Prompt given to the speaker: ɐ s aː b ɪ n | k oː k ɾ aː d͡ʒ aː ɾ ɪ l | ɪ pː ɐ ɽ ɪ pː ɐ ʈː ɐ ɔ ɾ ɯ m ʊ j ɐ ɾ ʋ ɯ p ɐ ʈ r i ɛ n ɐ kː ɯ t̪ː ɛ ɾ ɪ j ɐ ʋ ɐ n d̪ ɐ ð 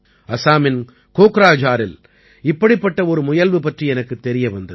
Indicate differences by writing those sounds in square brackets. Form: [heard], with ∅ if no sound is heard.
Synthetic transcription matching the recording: ɐ s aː [m] ɪ n | k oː k ɾ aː d͡ʒ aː ɾ ɪ l | ɪ pː ɐ ɽ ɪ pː ɐ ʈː ɐ ɔ ɾ ɯ m ʊ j ɐ [l] ʋ ɯ p ɐ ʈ r i ɛ n ɐ kː ɯ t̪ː ɛ ɾ ɪ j ɐ ʋ ɐ n d̪ ɐ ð